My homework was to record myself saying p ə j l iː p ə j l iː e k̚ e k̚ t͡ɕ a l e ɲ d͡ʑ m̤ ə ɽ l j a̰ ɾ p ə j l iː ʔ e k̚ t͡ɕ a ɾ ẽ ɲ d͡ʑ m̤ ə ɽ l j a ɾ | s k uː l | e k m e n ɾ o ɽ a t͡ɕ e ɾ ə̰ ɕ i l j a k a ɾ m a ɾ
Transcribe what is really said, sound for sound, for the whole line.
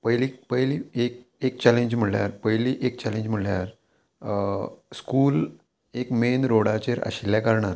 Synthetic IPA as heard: p ə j l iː p ə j l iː e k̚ e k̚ t͡ɕ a l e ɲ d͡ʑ m̤ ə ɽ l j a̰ ɾ p ə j l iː ʔ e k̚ t͡ɕ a l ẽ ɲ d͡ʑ m̤ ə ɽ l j a ɾ | s k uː l | e k m e n ɾ o ɽ a t͡ɕ e ɾ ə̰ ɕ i l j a k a ɾ ɳ a ɾ